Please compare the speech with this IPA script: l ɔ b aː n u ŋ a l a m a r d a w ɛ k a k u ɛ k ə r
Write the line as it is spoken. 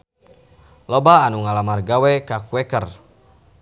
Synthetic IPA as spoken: l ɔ b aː n u ŋ a l a m a r ɡ a w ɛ k a k u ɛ k ə r